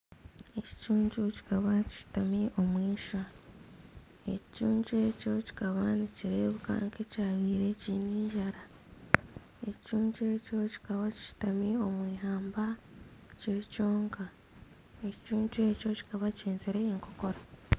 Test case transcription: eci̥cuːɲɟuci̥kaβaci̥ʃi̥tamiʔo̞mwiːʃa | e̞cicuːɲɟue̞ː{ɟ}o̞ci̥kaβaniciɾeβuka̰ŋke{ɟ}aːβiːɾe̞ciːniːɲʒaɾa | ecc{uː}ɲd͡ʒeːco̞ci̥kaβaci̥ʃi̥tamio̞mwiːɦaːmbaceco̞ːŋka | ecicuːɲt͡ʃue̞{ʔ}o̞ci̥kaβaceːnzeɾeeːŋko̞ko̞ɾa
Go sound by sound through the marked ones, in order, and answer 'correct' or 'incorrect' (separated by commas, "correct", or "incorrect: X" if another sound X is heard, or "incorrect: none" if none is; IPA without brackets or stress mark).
incorrect: c, incorrect: c, correct, incorrect: c